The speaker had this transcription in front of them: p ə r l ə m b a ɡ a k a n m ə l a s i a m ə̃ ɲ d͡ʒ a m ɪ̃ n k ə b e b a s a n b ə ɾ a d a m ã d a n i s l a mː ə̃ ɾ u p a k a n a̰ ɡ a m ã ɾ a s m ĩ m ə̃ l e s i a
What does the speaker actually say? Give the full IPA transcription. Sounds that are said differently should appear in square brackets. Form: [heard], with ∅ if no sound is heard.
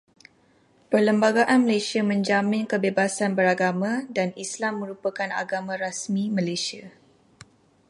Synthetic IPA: p ə r l ə m b a ɡ a [ʔ] a n m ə l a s i a m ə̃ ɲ d͡ʒ a m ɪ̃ n k ə b e b a s a n b ə ɾ a [ɡ] a m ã d a n i s l a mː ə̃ ɾ u p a k a n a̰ ɡ a m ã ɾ a s m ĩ m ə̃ l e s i a

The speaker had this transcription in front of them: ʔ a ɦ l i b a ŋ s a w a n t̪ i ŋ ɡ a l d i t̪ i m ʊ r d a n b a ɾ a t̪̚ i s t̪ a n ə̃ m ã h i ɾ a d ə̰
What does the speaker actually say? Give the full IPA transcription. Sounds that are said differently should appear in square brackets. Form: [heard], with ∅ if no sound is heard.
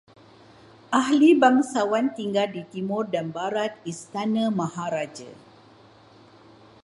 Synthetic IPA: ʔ a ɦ l i b a ŋ s a w a n t̪ i ŋ ɡ a l d i t̪ i m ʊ r d a n b a ɾ a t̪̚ i s t̪ a n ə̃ m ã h [a] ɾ a [d͡ʒ] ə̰

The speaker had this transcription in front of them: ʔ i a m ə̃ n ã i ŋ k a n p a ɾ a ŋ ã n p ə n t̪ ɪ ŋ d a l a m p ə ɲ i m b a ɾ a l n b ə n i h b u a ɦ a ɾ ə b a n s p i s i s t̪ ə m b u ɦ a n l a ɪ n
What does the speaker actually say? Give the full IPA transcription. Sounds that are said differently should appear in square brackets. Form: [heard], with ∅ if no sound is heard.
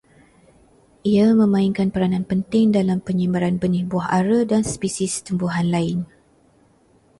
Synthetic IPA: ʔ i a m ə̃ [m] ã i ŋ k a n p [ə] ɾ a [n] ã n p ə n t̪ ɪ ŋ d a l a m p ə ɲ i m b a ɾ a [∅] n b ə n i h b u a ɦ a ɾ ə [d] a n s p i s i s t̪ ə m b u ɦ a n l a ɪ n

